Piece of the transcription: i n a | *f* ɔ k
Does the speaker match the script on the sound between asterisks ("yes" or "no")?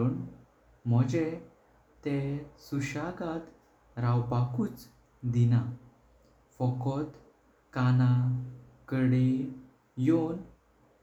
yes